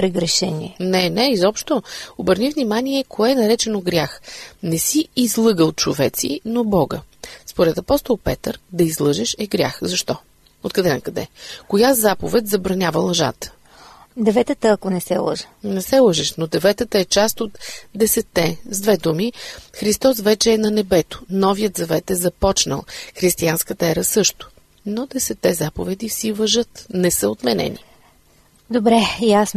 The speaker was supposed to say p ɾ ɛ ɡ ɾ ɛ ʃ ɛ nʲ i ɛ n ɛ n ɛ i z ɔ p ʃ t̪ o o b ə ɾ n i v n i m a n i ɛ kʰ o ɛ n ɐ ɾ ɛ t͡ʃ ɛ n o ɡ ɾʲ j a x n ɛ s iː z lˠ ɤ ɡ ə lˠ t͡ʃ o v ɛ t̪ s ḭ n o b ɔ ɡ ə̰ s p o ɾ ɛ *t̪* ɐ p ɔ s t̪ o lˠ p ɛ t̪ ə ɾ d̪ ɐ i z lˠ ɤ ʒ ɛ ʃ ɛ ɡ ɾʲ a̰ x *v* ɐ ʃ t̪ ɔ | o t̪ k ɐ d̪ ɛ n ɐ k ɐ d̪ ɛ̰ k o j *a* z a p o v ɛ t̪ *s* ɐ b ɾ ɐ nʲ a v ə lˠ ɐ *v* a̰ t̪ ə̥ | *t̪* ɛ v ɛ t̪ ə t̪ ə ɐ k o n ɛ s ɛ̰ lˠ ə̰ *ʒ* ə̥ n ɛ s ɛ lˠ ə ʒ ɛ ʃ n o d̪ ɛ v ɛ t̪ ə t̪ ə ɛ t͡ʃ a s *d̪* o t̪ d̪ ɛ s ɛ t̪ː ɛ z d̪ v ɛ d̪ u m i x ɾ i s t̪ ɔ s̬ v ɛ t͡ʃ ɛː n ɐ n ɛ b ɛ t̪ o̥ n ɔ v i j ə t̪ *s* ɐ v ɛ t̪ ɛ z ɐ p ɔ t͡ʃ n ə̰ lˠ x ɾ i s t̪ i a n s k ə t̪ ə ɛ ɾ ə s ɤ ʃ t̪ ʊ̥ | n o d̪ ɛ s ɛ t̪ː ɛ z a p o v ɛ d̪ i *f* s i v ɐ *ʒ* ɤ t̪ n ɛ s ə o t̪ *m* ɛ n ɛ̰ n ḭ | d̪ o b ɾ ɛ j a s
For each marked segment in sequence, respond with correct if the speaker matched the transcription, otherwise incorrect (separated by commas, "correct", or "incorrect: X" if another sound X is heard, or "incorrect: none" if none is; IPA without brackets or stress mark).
correct, incorrect: z, correct, incorrect: z, incorrect: ʒ, incorrect: d̪, correct, incorrect: t̪, incorrect: z, correct, correct, correct